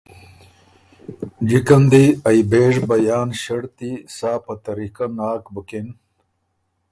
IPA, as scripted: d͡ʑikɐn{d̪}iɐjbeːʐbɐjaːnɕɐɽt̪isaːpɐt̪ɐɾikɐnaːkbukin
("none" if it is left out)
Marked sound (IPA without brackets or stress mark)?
d̪